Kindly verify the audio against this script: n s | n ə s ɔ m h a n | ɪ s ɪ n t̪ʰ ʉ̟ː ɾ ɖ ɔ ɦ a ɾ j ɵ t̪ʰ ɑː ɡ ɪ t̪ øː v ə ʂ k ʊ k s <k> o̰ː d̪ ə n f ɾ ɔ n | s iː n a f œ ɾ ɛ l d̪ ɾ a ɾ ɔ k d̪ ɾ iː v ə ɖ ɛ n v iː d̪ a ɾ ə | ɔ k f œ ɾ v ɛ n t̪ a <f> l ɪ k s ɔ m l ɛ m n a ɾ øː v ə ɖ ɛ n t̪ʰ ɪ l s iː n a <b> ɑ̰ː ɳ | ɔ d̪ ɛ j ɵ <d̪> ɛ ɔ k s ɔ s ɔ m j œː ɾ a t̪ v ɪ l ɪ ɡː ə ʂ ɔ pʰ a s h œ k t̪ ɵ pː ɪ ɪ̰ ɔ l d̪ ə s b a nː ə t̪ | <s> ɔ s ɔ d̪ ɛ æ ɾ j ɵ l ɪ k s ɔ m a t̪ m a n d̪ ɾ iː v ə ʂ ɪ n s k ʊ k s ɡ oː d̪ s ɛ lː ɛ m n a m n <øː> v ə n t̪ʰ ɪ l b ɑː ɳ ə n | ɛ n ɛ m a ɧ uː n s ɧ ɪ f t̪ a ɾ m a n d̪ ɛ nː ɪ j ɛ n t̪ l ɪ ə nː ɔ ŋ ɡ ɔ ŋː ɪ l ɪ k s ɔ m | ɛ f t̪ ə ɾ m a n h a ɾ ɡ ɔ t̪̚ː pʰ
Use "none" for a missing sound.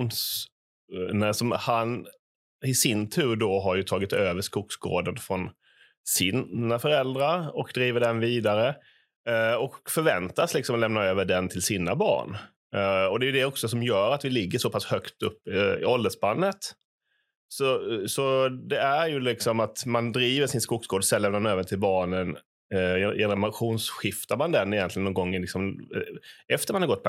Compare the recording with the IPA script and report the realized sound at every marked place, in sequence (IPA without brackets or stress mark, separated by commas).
ɡ, s, b, d̪, s, øː